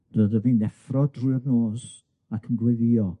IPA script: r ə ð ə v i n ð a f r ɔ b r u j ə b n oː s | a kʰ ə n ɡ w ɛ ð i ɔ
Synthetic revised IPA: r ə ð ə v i n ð ɛ f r ɔ d r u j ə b n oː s | a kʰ ə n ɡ w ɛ ð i ɔ